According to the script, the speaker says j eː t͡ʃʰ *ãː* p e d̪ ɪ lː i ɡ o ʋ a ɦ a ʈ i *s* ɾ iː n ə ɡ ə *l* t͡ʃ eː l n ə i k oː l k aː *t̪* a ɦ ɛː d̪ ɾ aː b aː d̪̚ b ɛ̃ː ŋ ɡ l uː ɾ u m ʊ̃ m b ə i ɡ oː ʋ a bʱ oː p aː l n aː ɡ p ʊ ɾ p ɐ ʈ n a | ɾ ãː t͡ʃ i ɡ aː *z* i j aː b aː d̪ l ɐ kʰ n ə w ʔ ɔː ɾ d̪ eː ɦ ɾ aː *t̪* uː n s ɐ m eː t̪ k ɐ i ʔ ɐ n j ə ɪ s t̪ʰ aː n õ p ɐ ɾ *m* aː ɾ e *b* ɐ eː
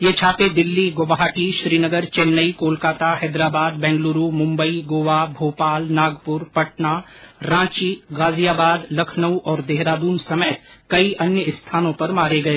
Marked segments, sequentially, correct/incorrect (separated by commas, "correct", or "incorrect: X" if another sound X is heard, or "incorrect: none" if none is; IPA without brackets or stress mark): incorrect: aː, incorrect: ʃ, incorrect: ɾ, correct, correct, incorrect: d̪, correct, incorrect: ɡ